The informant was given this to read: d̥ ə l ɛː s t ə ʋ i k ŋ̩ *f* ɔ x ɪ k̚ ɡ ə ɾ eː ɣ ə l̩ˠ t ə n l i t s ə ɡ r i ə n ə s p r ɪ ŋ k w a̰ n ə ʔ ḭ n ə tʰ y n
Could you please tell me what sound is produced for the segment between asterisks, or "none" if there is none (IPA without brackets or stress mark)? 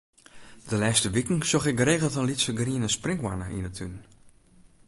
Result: s